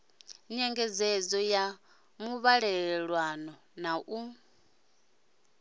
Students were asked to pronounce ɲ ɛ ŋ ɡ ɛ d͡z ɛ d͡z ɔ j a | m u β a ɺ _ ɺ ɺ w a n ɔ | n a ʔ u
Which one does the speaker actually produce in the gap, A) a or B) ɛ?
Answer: B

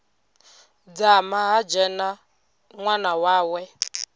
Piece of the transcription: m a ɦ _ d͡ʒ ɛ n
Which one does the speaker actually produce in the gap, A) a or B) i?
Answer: A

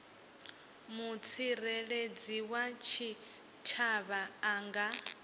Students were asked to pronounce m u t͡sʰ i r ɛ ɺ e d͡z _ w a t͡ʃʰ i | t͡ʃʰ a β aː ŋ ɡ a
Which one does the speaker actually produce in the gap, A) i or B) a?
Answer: A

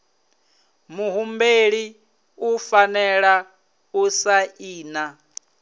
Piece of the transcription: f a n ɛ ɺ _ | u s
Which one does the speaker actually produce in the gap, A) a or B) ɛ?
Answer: A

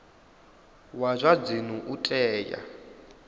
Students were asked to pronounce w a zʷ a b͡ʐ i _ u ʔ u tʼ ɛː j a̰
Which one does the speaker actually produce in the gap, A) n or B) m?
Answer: A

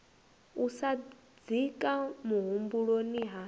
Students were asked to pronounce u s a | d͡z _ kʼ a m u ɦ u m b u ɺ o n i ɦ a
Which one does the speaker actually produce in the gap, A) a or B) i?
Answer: B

